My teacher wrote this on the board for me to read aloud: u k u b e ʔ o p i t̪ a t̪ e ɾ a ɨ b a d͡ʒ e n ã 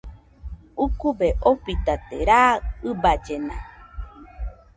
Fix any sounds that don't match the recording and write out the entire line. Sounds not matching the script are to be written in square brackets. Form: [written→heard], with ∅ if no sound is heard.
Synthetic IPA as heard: u k u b e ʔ o p i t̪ a t̪ e ɾ a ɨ b a d͡ʒ e n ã